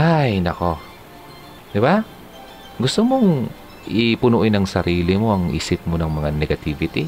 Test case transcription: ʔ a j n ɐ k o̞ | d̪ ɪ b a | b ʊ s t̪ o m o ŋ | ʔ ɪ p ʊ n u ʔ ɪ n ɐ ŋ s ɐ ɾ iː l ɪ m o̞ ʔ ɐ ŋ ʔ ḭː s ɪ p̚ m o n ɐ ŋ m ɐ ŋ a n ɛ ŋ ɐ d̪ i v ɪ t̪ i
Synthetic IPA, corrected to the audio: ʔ a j n ɐ k o̞ | d̪ ɪ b a | ɡ ʊ s t̪ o m o ŋ | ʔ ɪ p ʊ n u ʔ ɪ n ɐ ŋ s ɐ ɾ iː l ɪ m o̞ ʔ ɐ ŋ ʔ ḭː s ɪ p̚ m o n ɐ ŋ m ɐ ŋ a n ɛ ɡ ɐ t̪ i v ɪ t̪ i